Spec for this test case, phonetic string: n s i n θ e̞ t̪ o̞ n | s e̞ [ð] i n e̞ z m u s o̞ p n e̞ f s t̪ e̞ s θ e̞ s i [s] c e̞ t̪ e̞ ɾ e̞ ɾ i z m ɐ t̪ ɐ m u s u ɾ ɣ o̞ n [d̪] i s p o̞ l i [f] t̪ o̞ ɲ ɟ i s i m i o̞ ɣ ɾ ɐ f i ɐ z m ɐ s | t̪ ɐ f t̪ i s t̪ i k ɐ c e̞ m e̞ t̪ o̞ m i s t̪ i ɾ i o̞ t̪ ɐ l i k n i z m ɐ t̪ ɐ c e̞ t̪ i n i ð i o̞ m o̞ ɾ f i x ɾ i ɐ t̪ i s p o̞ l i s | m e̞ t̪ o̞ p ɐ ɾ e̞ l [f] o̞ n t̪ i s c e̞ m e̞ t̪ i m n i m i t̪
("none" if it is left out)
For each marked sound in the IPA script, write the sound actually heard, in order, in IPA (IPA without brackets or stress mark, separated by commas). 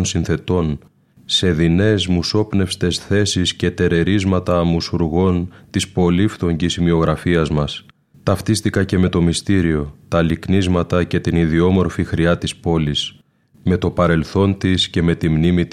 ð, s, t̪, f, θ